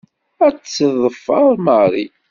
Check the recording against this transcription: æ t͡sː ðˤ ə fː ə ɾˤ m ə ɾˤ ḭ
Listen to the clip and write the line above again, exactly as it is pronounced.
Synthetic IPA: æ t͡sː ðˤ ə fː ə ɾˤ m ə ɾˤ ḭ